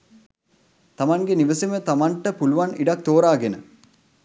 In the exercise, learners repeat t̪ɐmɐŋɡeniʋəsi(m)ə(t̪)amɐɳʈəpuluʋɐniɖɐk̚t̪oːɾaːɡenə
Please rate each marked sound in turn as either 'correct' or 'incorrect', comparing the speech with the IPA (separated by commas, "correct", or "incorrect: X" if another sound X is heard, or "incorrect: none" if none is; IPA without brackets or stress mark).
correct, correct